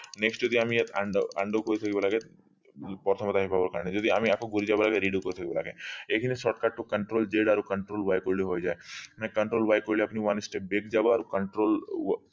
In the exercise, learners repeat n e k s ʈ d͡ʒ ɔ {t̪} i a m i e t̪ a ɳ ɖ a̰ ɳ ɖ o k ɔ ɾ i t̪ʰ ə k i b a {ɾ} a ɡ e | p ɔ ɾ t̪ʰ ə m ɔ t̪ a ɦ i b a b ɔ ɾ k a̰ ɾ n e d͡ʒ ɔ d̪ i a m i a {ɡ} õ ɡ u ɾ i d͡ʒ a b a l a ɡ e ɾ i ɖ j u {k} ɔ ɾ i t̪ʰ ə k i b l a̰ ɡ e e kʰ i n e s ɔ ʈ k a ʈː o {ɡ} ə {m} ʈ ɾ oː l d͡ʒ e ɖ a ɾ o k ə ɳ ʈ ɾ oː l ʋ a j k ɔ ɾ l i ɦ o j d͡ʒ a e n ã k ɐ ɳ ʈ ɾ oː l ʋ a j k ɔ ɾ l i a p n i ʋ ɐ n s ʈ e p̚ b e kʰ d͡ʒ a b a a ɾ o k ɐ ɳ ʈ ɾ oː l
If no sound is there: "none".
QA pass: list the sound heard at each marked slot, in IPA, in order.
d̪, l, k, k, k, ɳ

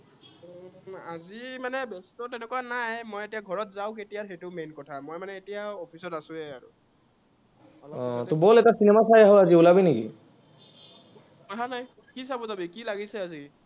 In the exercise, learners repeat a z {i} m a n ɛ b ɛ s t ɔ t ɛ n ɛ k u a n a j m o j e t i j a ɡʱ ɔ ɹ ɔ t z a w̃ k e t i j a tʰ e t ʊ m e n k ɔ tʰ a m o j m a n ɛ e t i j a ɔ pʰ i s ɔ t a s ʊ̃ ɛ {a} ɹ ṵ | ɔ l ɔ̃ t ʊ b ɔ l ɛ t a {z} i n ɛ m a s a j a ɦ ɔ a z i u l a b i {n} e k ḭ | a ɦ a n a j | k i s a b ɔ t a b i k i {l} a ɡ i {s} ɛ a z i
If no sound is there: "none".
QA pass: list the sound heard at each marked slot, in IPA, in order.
i, a, s, n, l, s

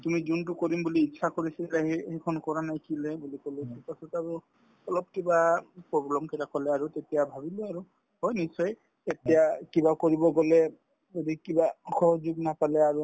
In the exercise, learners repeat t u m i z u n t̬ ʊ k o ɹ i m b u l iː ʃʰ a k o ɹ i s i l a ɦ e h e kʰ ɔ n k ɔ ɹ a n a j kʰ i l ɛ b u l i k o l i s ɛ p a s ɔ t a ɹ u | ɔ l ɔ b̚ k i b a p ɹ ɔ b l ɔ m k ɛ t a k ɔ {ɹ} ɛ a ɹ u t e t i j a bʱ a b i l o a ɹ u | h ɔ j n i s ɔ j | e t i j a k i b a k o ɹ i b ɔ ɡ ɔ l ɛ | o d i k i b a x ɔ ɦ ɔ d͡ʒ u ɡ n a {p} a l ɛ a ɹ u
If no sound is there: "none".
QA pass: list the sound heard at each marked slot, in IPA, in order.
l, p

